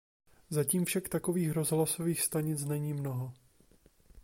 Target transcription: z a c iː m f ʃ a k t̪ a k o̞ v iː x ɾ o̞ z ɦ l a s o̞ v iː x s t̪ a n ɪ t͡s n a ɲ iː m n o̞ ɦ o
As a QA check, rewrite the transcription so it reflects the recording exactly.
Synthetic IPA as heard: z a c iː m f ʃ a k t̪ a k o̞ v iː x ɾ o̞ z ɦ l a s o̞ v iː x s t̪ a ɲ ɪ t͡s n ɛ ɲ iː m n o̞ ɦ o